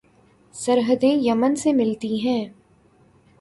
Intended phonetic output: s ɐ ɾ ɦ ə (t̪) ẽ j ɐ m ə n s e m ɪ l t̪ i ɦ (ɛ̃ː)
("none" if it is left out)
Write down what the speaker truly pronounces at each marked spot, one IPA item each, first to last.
d̪, ɛ̃ː

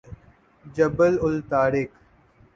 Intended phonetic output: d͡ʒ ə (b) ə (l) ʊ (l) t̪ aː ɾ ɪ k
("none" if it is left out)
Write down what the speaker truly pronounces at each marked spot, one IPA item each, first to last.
b, l, l

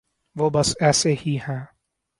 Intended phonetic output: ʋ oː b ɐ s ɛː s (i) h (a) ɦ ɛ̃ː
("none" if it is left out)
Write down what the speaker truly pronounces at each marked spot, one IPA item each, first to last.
e, i

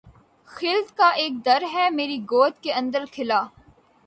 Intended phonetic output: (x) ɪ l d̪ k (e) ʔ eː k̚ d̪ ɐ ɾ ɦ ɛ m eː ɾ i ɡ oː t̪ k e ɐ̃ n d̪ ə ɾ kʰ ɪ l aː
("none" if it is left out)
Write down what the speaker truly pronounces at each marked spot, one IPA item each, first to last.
x, a

